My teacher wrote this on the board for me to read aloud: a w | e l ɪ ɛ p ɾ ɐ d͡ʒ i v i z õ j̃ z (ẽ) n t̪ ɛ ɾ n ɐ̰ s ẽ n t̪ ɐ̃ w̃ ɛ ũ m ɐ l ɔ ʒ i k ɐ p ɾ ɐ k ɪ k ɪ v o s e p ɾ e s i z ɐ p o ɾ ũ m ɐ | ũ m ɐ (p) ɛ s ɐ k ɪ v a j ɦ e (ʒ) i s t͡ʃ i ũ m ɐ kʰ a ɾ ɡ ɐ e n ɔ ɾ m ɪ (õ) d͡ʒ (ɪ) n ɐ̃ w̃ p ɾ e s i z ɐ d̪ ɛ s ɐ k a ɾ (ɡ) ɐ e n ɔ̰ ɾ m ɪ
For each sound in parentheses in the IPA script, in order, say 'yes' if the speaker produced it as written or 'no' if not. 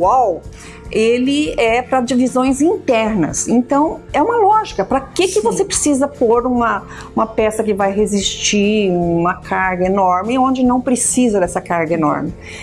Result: no, yes, no, yes, yes, yes

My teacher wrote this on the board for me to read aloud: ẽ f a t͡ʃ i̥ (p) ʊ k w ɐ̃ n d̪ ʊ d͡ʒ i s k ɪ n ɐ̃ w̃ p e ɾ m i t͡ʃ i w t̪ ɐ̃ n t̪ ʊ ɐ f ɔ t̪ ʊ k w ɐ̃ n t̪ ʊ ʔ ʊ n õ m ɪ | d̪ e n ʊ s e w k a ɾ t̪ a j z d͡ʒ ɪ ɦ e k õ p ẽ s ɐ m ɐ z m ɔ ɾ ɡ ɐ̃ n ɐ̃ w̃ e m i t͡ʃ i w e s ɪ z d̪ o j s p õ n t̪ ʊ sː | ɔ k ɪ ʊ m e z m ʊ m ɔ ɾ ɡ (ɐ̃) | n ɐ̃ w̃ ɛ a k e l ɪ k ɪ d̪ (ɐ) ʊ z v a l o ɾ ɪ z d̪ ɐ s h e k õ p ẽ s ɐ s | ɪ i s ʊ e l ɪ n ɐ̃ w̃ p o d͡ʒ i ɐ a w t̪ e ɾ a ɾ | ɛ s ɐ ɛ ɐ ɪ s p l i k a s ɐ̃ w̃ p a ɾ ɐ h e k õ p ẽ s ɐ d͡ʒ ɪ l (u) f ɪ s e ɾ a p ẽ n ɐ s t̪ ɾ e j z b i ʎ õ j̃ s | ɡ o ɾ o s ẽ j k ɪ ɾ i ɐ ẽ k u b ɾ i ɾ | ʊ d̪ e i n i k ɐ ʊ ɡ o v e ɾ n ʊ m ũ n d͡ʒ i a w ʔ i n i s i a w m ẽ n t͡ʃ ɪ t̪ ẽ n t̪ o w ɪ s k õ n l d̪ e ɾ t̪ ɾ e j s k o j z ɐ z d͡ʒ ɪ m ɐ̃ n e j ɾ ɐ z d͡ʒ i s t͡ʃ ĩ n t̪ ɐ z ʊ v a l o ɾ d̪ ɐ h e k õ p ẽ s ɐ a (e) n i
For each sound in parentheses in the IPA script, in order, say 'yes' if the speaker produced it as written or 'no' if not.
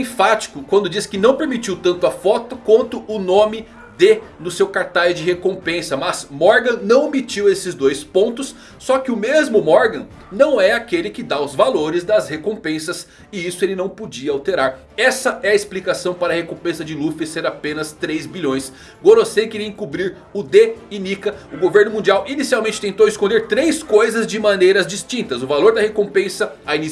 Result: no, yes, no, yes, no

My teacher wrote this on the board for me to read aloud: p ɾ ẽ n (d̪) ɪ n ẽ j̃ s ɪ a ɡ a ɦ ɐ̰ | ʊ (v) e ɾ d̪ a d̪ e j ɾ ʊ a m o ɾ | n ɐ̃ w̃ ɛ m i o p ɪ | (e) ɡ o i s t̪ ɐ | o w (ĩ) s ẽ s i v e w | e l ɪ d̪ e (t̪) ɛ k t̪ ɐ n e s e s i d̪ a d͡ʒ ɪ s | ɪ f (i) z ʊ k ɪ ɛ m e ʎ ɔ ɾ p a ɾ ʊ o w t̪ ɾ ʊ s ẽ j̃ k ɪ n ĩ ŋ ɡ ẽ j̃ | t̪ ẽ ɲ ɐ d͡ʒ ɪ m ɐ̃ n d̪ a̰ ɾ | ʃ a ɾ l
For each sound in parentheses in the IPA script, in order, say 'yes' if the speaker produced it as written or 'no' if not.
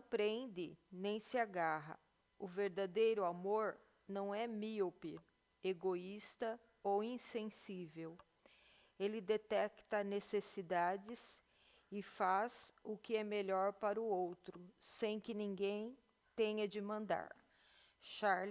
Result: yes, yes, yes, yes, yes, no

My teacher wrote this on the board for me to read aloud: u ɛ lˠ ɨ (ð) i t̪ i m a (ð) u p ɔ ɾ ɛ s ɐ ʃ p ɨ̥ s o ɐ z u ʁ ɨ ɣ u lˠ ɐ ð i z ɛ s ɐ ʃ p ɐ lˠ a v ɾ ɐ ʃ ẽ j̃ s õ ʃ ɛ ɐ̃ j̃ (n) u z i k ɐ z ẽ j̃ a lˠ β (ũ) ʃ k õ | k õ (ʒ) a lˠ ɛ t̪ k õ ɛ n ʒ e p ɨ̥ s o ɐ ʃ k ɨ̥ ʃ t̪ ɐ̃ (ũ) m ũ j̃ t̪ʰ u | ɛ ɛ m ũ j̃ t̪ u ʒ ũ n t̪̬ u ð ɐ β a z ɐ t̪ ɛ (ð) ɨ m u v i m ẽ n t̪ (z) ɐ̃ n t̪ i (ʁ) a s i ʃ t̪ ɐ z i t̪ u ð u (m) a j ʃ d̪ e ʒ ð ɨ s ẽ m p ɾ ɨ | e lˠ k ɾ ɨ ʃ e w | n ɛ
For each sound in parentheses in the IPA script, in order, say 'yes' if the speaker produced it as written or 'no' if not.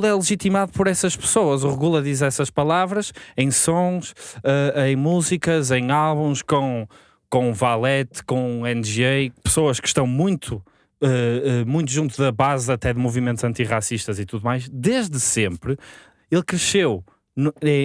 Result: no, yes, no, yes, no, no, yes, yes, yes, yes

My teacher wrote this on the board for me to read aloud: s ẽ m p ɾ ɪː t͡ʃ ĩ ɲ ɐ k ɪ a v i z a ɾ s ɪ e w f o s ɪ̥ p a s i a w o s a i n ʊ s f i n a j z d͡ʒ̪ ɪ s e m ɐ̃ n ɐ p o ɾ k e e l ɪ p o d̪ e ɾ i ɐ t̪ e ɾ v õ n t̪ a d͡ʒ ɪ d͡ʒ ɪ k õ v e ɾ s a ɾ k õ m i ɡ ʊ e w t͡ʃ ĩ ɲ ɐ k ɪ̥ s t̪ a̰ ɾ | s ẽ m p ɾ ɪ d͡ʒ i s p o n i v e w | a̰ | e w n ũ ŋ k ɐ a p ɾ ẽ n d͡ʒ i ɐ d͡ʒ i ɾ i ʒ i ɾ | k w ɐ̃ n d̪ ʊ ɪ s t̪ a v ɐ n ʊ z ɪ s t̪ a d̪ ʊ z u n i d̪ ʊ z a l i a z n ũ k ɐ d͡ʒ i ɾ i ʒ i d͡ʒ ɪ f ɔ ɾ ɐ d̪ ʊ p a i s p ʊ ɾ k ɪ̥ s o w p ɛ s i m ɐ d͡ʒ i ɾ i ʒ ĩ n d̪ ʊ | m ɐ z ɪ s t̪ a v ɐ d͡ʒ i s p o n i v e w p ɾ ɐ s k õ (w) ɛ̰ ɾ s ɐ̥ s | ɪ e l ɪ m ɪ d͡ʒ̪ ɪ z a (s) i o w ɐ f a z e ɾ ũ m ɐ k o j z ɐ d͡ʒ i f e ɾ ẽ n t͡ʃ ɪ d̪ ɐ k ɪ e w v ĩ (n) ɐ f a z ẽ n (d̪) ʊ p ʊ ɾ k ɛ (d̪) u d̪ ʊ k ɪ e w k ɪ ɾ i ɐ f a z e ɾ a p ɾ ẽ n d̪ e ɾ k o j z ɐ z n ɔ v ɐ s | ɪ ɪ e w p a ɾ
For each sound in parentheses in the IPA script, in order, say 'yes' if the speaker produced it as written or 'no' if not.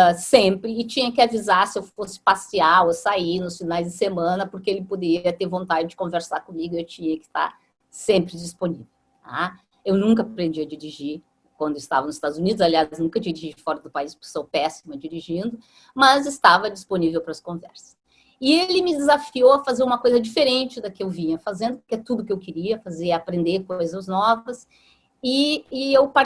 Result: no, no, no, yes, no

